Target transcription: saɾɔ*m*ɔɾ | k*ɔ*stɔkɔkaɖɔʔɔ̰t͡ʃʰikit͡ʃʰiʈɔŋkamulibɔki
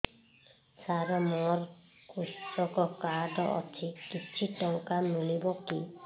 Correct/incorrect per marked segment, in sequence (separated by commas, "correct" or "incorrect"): correct, incorrect